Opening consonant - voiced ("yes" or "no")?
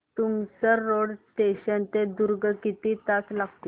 no